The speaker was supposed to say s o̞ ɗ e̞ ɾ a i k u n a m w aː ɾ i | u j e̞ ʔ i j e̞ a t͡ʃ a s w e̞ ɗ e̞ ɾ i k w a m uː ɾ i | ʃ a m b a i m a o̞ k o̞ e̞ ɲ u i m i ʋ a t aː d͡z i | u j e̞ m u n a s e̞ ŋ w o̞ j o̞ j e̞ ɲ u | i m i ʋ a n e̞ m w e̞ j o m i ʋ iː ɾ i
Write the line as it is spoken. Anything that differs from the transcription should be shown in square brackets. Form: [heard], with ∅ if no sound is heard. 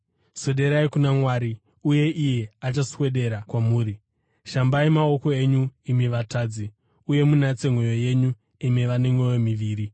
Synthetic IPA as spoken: s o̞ ɗ e̞ ɾ a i k u n a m w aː ɾ i | u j e̞ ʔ i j e̞ a t͡ʃ a s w e̞ ɗ e̞ ɾ [a] k w a m uː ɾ i | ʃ a m b a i m a o̞ k o̞ e̞ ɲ u i m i ʋ a t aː d͡z i | u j e̞ m u n a [t͡s] e̞ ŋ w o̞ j o̞ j e̞ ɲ u | i m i ʋ a n e̞ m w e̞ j o m i ʋ iː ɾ i